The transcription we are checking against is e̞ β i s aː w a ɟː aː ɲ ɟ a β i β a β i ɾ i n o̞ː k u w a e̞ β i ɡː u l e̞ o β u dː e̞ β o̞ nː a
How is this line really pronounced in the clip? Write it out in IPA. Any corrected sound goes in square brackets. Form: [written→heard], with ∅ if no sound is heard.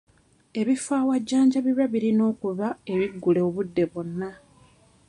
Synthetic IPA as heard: e̞ β i [s→f] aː w a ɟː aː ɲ ɟ a β i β a β i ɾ i n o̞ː k u [w→β] a e̞ β i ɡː u l e̞ o β u dː e̞ β o̞ nː a